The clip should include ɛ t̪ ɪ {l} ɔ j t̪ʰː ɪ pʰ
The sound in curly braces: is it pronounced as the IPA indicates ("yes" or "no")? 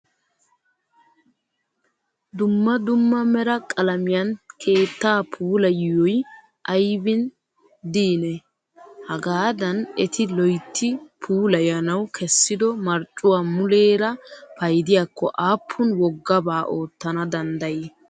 yes